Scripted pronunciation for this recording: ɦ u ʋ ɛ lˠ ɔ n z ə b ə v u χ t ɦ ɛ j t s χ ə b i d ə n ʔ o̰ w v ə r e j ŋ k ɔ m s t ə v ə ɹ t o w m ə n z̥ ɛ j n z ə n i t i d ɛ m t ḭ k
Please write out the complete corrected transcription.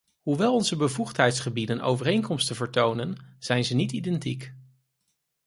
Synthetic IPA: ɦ u ʋ ɛ lˠ ɔ n z ə b ə v u χ t ɦ ɛ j t s χ ə b i d ə n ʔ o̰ w v ə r e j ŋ k ɔ m s t ə v ə ɹ t o w n ə n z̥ ɛ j n z ə n i t i d ɛ n t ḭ k